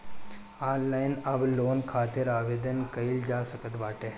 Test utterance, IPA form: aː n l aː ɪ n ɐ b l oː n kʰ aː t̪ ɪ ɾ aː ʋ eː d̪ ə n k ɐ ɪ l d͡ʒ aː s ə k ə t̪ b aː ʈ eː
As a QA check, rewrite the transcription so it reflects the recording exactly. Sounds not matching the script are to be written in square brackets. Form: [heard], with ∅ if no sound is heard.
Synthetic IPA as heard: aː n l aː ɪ n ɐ b l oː n kʰ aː t̪ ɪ ɾ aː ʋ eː d̪ ə n k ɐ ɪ l d͡ʒ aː s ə k ə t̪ b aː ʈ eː